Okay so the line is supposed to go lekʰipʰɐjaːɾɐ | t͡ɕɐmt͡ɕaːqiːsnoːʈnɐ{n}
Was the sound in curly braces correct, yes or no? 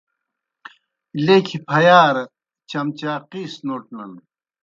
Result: yes